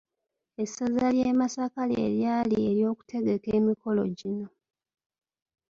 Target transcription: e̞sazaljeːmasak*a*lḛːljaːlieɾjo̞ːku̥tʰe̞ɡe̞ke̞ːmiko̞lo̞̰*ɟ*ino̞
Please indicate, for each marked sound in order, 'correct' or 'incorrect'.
correct, correct

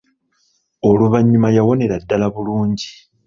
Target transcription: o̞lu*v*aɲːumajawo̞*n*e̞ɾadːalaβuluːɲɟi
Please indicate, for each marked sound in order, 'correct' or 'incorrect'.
incorrect, correct

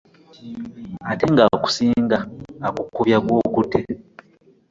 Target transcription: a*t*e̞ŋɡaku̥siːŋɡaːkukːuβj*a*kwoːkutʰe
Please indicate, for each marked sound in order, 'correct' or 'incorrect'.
correct, correct

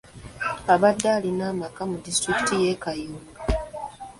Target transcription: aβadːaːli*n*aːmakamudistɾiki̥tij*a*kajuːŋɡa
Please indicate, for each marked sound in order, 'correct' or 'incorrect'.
correct, incorrect

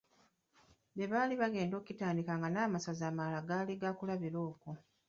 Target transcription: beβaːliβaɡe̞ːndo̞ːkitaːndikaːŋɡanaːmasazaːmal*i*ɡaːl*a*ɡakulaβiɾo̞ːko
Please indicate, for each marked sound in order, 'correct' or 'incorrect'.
incorrect, incorrect

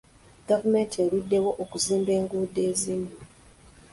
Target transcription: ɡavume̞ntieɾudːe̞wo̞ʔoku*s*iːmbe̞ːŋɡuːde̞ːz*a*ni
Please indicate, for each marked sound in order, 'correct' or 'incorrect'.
incorrect, incorrect

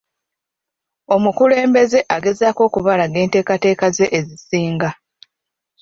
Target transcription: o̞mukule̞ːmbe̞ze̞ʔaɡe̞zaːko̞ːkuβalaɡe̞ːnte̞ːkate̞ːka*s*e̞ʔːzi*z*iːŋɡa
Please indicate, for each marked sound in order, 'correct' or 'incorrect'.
incorrect, incorrect

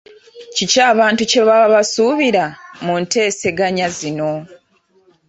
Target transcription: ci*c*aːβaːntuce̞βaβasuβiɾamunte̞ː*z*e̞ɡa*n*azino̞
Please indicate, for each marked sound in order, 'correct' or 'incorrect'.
correct, incorrect, incorrect

